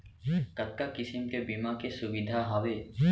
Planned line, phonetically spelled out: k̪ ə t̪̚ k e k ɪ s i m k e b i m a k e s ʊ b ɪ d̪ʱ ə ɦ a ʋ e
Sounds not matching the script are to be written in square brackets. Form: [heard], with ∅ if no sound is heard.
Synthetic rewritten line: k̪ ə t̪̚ k [a] k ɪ s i m k e b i m a k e s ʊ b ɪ d̪ʱ [a] ɦ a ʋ e